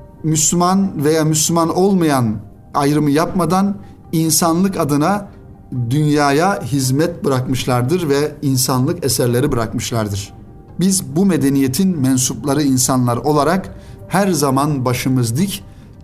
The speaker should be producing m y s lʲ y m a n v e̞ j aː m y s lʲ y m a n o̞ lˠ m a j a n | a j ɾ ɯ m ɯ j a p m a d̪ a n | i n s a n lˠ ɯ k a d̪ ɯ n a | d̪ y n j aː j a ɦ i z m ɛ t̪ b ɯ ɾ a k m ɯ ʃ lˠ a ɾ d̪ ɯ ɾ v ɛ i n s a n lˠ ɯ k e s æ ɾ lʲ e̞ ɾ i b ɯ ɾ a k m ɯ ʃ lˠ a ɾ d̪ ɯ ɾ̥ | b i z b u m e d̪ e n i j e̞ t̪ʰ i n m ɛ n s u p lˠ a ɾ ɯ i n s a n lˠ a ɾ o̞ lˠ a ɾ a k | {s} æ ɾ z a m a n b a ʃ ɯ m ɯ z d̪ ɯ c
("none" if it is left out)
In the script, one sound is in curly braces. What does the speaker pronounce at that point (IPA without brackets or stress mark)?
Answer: h